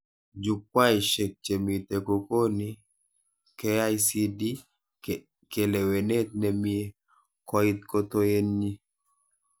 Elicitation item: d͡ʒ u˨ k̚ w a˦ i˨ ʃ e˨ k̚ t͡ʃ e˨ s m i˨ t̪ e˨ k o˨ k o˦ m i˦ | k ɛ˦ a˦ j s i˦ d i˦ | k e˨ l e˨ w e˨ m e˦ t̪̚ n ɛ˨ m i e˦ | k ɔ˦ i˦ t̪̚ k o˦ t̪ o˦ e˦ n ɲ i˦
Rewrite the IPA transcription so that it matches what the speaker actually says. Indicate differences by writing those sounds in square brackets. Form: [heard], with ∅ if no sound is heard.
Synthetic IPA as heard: d͡ʒ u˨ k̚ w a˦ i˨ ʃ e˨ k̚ t͡ʃ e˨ [∅] m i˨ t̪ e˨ k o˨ k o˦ [n] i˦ | k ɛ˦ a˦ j s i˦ d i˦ | k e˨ l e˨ w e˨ [n] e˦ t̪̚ n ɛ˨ m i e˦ | k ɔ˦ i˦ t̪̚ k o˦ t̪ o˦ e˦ n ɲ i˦